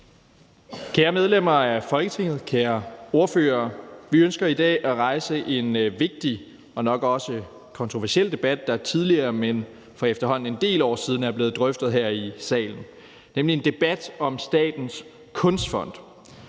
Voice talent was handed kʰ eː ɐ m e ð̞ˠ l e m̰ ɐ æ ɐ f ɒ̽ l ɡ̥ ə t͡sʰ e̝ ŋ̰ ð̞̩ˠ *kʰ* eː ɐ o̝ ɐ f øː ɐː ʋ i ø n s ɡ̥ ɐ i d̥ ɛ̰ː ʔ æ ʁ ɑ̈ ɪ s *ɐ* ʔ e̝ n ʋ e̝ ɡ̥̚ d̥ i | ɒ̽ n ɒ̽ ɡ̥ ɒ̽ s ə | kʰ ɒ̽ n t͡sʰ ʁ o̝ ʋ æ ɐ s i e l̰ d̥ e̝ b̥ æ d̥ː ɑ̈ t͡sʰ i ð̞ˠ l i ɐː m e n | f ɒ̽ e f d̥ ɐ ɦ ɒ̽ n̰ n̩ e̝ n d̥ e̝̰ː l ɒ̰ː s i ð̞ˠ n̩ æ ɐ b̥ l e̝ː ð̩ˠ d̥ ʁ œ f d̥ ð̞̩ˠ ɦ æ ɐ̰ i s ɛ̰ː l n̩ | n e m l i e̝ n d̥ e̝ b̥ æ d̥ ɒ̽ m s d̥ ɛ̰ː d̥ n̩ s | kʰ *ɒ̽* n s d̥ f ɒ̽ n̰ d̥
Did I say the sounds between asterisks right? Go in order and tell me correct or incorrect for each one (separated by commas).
correct, incorrect, incorrect